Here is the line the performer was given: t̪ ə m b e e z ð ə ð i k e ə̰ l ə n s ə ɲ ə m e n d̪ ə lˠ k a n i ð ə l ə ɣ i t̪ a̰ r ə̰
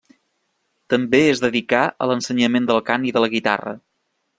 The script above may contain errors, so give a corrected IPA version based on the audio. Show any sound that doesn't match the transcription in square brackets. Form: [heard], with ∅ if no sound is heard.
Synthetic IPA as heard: t̪ ə m b e e z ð ə ð i k [a] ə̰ l ə n s ə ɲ ə m e n d̪ ə lˠ k a n i ð ə l ə ɣ i t̪ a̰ r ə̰